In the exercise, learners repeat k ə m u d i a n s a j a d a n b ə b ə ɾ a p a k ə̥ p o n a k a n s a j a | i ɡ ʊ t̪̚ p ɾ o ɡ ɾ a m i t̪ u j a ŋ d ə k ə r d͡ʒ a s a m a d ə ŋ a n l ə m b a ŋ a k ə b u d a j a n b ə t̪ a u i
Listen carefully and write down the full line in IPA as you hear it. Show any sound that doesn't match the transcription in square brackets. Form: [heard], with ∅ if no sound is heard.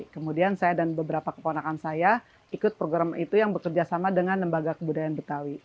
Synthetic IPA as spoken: k ə m u d i a n s a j a d a n b ə b ə ɾ a p a k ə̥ p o n a k a n s a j a | i [k] ʊ t̪̚ p ɾ o ɡ ɾ a m i t̪ u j a ŋ [b] ə k ə r d͡ʒ a s a m a d ə ŋ a n l ə m b a [ɡ] a k ə b u d a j a n b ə t̪ a [w] i